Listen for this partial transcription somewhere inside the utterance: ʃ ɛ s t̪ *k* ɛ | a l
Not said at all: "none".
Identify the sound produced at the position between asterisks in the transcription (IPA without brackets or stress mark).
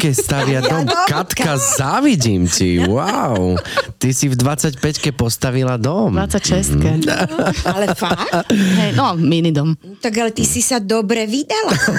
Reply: k